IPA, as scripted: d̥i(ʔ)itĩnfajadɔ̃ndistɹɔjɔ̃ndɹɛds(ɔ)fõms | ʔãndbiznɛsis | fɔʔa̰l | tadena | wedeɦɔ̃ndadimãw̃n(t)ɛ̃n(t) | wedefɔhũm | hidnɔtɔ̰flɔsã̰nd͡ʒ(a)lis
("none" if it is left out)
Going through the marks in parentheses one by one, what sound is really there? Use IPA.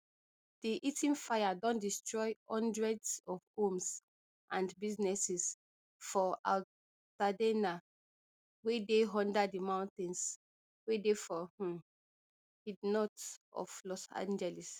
ʔ, ɔ, t, s, ɛ

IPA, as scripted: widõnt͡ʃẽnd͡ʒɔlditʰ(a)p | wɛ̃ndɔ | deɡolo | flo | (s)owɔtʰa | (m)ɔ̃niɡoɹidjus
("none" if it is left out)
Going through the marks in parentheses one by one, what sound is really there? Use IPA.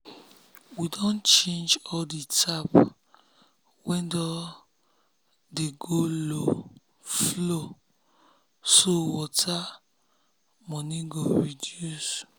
a, s, m

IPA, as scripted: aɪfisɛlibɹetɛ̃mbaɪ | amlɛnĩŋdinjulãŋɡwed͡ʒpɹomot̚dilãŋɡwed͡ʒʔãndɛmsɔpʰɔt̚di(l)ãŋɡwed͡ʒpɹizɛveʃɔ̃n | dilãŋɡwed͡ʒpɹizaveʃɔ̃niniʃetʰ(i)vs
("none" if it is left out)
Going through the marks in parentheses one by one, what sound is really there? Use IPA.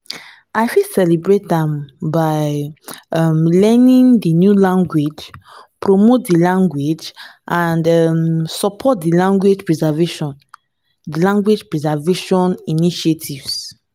l, i

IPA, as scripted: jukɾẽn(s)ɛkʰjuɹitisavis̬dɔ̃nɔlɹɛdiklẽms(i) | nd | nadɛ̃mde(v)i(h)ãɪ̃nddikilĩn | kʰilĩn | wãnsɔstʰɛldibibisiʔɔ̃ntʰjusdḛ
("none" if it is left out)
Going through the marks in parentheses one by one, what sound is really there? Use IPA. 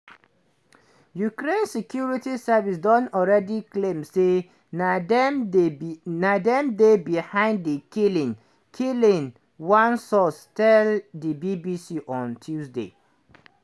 s, e, b, h

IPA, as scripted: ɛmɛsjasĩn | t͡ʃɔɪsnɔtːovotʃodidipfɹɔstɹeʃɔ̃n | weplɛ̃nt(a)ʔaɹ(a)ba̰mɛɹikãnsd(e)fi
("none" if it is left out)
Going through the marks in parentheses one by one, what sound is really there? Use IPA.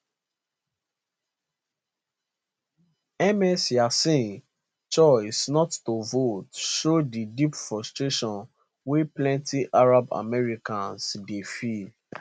i, a, e

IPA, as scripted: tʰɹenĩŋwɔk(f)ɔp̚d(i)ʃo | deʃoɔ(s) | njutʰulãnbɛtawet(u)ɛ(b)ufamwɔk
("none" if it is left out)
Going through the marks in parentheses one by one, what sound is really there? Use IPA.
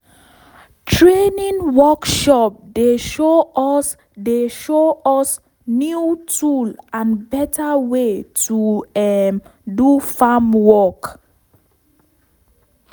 ʃ, e, s, u, d

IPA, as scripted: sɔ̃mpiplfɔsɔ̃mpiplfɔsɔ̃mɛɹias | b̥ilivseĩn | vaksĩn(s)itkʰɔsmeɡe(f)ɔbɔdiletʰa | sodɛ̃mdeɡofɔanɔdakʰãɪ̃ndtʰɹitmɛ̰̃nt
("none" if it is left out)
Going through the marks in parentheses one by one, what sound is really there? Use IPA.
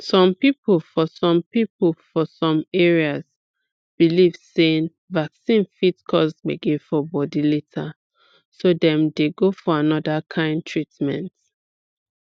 f, f

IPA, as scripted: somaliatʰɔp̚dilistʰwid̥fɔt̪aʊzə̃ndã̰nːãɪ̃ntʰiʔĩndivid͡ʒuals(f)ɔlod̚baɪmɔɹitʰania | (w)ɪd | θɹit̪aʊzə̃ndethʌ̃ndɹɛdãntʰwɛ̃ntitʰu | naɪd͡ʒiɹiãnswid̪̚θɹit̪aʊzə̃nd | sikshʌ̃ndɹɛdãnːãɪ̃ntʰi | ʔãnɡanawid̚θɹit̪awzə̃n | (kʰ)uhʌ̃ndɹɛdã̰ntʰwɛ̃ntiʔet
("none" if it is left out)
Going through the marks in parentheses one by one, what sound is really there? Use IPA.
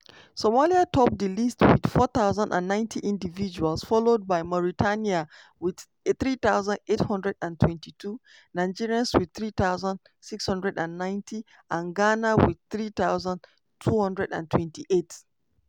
f, w, tʰ

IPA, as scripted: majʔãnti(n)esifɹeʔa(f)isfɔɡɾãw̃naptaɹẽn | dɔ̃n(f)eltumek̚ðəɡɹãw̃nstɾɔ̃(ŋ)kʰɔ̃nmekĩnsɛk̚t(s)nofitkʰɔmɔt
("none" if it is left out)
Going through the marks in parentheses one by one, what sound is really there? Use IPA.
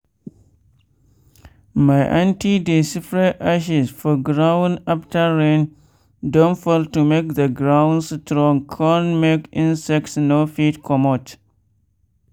d, ʃ, f, ŋ, s

